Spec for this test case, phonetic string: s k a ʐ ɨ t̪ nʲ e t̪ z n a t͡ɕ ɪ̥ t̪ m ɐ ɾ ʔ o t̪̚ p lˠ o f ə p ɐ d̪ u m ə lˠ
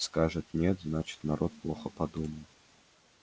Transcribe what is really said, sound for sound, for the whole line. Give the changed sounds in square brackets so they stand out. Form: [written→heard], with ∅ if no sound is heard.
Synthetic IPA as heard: s k a ʐ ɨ t̪ nʲ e t̪ z n a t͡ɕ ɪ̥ t̪ [m→n] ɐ ɾ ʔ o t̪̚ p lˠ o [f→x] ə p ɐ d̪ u m ə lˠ